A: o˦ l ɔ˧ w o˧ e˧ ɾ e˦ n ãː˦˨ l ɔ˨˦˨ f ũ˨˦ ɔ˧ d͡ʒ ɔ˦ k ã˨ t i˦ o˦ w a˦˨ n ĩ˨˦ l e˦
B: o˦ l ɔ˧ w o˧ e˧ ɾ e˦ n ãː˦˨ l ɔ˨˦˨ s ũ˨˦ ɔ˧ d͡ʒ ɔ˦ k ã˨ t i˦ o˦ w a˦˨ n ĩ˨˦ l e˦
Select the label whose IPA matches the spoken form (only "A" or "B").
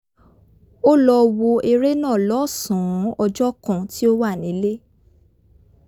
B